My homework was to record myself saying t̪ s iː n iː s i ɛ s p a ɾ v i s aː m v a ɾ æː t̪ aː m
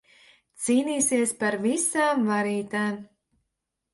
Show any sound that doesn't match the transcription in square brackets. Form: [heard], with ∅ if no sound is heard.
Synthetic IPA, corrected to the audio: t̪ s iː n iː s i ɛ s p a ɾ v i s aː m v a ɾ [iː] t̪ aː m